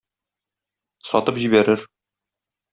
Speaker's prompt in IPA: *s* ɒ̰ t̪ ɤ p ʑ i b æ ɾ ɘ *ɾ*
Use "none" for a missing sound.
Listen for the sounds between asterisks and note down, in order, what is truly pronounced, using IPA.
s, ɾ

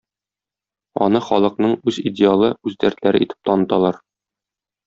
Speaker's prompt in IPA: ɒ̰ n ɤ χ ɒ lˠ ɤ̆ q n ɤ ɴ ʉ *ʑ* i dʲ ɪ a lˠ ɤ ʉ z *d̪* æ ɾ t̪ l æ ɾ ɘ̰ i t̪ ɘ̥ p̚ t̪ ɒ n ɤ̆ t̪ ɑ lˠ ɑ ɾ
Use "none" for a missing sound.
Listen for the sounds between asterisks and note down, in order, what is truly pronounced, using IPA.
z, d̪

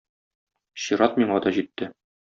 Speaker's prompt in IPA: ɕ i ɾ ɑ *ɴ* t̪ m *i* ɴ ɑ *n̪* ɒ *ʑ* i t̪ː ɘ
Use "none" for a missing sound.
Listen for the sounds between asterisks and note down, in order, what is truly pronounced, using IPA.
none, i, d̪, ʑ

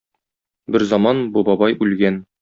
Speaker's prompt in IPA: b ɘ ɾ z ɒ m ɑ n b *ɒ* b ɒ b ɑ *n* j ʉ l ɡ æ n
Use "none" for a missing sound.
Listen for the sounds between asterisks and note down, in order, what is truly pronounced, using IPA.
u, none

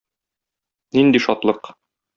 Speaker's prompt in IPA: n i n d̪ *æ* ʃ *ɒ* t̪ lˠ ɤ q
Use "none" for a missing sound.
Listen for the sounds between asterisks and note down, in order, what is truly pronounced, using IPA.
i, ɒ

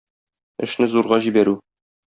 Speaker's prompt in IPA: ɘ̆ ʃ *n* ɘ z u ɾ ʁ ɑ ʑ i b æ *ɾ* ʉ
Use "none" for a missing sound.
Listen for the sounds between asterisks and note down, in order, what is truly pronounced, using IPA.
n, ɾ

